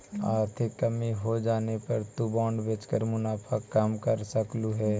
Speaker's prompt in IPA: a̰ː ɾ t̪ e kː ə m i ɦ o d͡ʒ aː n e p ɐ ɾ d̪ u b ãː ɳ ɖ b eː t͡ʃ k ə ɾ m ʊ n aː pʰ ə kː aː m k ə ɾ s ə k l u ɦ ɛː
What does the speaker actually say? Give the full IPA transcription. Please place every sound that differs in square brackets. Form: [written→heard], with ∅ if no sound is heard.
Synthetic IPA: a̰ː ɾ [t̪→t̪ʰ] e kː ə m i ɦ o d͡ʒ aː n e p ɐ ɾ [d̪→t̪] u b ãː ɳ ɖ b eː t͡ʃ k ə ɾ m ʊ n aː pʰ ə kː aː m k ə ɾ s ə k l u ɦ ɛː

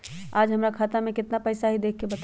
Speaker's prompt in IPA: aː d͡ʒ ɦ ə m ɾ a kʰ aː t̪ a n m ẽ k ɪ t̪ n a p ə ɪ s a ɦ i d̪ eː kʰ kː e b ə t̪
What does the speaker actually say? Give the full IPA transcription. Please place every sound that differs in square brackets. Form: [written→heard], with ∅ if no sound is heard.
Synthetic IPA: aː d͡ʒ ɦ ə m ɾ a kʰ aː t̪ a [n→∅] m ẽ k ɪ t̪ n a p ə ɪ s a ɦ i d̪ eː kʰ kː e b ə t̪

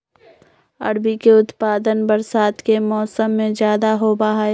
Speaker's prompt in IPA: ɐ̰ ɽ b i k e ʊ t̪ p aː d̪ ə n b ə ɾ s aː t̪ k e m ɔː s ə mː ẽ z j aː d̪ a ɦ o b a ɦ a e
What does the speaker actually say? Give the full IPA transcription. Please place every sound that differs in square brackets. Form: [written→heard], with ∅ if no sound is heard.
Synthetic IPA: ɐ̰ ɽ b i k e ʊ t̪ p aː d̪ ə n b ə ɾ s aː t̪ k e m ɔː s ə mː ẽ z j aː d̪ a ɦ o b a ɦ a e

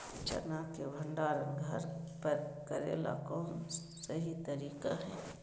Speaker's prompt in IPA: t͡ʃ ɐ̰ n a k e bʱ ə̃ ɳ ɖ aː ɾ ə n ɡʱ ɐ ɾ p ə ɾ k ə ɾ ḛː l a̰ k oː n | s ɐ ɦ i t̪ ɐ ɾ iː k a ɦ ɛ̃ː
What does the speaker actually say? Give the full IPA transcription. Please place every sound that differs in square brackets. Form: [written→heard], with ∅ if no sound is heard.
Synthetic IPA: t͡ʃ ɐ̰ n a k e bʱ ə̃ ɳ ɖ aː ɾ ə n ɡʱ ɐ ɾ p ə ɾ k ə ɾ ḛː l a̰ k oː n | s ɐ ɦ i t̪ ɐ ɾ iː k a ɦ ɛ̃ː

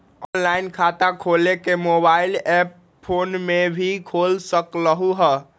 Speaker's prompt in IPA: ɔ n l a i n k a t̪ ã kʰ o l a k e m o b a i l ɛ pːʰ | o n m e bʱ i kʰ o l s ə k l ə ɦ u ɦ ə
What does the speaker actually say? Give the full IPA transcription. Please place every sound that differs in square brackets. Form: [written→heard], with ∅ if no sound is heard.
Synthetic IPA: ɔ n l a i n [k→kʰ] a t̪ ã kʰ o l [a→e] k e m o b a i l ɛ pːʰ | o n m e bʱ i kʰ o l s ə k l ə ɦ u ɦ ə

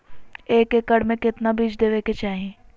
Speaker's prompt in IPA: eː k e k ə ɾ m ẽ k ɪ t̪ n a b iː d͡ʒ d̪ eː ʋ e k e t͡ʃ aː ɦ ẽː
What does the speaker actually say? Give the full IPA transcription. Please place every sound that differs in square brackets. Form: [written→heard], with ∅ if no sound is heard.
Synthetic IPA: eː k e k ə [ɾ→ɽ] m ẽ k ɪ t̪ n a b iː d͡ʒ d̪ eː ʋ e k e t͡ʃ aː ɦ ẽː

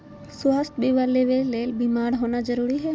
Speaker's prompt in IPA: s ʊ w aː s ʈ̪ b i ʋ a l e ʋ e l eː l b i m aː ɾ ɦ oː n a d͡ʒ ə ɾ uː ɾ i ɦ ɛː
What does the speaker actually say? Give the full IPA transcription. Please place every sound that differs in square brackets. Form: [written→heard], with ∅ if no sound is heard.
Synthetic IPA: s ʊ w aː s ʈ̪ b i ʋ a l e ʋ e l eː l b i m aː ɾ ɦ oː n a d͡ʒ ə ɾ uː ɾ i ɦ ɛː

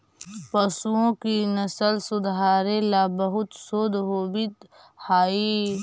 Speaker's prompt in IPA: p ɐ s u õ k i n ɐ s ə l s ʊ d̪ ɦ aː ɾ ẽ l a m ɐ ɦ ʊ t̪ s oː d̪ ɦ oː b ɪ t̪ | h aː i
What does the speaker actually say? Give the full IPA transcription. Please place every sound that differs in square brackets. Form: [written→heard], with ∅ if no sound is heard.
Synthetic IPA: p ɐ s u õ k i n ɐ s ə l s ʊ d̪ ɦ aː ɾ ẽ l a [m→b] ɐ ɦ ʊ t̪ s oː d̪ ɦ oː b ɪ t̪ | h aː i

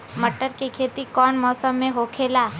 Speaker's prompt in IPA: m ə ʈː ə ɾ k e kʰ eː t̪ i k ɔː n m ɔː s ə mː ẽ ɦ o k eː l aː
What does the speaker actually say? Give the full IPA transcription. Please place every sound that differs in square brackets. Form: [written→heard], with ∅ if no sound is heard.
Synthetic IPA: m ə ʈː ə ɾ k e kʰ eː t̪ i k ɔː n m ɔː s ə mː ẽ ɦ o [k→kʰ] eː l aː

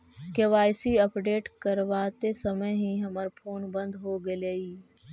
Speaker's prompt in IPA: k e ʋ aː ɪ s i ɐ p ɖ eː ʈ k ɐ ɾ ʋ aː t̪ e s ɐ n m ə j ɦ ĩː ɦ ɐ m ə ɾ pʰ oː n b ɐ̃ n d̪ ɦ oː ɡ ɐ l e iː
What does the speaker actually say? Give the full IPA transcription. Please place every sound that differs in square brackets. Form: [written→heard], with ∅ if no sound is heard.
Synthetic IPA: k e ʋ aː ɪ s i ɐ p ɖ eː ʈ k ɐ ɾ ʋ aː t̪ e s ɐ [n→∅] m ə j ɦ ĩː ɦ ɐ m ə ɾ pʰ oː n b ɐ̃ n d̪ ɦ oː ɡ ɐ l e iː

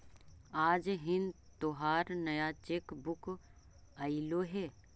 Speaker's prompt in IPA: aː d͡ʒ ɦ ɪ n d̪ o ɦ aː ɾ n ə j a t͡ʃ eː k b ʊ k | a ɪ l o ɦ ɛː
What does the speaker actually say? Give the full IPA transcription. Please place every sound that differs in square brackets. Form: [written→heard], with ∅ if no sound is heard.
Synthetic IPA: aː d͡ʒ ɦ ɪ n [d̪→t̪] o ɦ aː ɾ n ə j a t͡ʃ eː k b ʊ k | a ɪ l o ɦ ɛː

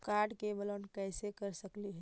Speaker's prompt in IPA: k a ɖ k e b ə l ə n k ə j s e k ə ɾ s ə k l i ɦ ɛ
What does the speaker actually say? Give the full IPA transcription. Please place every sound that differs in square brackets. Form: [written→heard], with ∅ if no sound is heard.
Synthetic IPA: k a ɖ k e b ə l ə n k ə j s e k ə ɾ s ə k l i ɦ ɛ

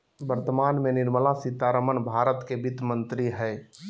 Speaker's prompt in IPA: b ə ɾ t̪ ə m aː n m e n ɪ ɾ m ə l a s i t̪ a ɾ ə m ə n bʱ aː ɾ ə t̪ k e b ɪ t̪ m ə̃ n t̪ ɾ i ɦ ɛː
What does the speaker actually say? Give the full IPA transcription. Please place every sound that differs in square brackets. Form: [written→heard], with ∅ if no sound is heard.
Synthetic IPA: b ə ɾ t̪ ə m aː n m e n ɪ ɾ m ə l a s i t̪ a ɾ ə m ə n bʱ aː ɾ ə t̪ k e b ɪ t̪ m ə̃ n t̪ ɾ i ɦ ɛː

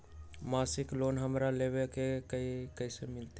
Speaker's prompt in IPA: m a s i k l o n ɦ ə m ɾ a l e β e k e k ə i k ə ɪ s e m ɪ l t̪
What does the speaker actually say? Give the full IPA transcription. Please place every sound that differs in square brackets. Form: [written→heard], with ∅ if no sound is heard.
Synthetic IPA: m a s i k l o n ɦ ə m ɾ a l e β e k e k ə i k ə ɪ s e m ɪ l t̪

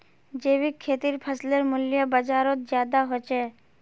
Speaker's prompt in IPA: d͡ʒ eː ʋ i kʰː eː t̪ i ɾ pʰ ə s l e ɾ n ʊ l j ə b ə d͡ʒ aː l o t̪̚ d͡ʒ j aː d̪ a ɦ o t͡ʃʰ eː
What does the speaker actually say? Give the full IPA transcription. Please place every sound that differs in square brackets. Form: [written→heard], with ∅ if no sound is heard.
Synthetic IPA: d͡ʒ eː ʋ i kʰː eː t̪ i ɾ pʰ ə s l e ɾ [n→m] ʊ l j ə b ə d͡ʒ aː [l→ɾ] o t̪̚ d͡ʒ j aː d̪ a ɦ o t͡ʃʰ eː

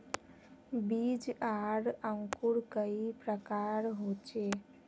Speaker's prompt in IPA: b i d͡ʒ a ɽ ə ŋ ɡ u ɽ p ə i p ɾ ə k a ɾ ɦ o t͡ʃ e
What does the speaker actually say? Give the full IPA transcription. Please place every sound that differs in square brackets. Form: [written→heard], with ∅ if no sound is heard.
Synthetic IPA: b i d͡ʒ a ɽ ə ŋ [ɡ→k] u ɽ [p→k] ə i p ɾ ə k a ɾ ɦ o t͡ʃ e

